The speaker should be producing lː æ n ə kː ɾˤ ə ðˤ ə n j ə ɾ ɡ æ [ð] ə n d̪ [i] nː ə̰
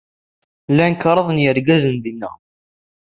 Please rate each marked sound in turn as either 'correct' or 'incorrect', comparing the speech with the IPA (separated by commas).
incorrect, correct